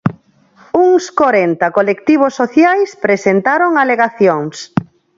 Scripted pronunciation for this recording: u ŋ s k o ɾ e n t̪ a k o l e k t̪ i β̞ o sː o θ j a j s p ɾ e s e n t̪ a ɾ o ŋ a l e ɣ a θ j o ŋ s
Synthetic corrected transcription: u ŋ s k o ɾ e n t̪ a k o l e k t̪ i β̞ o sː o θ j a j s p ɾ e s e n t̪ a ɾ o ŋ a l e ɣ a θ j o ŋ s